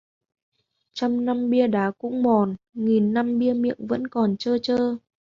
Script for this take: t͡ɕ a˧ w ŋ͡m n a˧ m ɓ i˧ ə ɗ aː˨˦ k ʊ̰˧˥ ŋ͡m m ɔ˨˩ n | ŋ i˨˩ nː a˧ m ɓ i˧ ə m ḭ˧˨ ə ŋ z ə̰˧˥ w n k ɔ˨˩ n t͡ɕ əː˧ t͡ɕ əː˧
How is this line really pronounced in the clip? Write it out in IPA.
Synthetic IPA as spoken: t͡ɕ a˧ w ŋ͡m n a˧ m ɓ i˧ ə ɗ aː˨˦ k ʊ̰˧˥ ŋ͡m m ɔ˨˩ n | ŋ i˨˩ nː a˧ m ɓ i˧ ə m ḭ˧˨ ə ŋ v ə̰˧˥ n k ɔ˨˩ n t͡ɕ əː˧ t͡ɕ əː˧